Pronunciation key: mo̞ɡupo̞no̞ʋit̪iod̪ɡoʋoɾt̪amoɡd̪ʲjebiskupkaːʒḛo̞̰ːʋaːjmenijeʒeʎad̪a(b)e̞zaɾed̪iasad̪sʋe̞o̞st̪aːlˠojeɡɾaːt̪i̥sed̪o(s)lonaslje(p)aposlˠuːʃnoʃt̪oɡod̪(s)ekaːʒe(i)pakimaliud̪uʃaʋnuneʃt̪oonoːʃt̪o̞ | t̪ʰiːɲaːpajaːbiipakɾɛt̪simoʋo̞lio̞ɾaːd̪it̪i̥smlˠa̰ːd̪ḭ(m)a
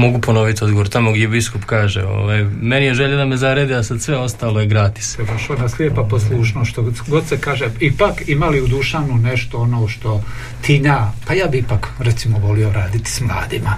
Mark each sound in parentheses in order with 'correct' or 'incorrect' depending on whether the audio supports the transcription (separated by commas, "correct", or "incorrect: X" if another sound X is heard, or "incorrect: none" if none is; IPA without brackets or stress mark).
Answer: incorrect: m, incorrect: ʃ, correct, correct, correct, correct